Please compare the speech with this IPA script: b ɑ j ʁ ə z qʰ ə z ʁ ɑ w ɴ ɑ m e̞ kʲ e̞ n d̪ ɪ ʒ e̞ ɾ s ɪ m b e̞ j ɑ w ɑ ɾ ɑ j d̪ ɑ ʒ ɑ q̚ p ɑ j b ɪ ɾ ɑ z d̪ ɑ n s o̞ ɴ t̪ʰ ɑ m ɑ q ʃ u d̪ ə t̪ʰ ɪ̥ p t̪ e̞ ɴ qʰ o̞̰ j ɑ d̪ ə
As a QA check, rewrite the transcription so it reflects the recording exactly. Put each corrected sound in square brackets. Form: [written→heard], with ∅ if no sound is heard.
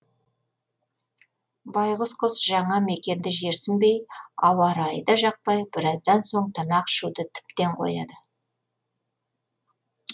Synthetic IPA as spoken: b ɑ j ʁ ə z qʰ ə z [ʁ→ʒ] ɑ [w→∅] ɴ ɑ m e̞ kʲ e̞ n d̪ ɪ ʒ e̞ ɾ s ɪ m b e̞ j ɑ w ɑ ɾ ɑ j d̪ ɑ ʒ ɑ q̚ p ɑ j b ɪ ɾ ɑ z d̪ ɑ n s o̞ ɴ t̪ʰ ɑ m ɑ q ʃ u d̪ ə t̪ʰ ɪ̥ p t̪ e̞ ɴ qʰ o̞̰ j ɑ d̪ ə